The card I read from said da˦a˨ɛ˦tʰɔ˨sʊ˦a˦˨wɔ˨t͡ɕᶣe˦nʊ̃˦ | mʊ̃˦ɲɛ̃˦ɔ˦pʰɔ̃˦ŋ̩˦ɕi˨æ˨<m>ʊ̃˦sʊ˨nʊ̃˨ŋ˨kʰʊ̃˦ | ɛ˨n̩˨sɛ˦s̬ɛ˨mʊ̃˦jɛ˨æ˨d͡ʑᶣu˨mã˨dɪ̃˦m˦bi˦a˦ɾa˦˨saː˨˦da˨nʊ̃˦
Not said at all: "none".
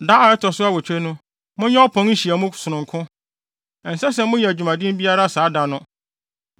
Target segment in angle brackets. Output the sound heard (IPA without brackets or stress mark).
m